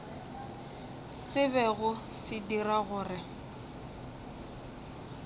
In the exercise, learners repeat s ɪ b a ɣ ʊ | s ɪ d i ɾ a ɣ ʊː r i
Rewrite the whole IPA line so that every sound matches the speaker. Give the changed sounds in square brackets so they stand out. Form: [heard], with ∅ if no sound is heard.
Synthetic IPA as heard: s ɪ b [ɛ] ɣ ʊ | s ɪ d i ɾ a ɣ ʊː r [ɪ]